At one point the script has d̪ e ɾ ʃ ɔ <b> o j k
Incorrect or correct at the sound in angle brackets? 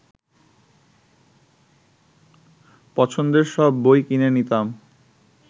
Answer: incorrect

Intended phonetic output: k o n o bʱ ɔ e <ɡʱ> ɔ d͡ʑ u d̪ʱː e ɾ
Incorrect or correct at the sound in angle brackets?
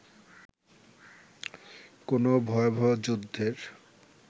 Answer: incorrect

